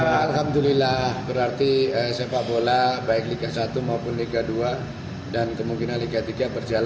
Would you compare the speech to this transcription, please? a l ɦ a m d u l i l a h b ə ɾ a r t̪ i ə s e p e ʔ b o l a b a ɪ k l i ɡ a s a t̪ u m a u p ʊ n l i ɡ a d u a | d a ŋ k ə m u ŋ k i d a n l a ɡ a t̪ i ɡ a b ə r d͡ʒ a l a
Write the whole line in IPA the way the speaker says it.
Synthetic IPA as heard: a l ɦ a m d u l i l a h b ə ɾ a r t̪ i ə s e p a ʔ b o l a b a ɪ k l i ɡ a s a t̪ u m a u p ʊ n l i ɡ a d u a | d a n k ə m u ŋ k i n a n l i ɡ a t̪ i ɡ a b ə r d͡ʒ a l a